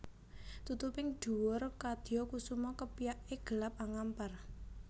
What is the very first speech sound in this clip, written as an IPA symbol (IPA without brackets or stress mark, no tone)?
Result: t̪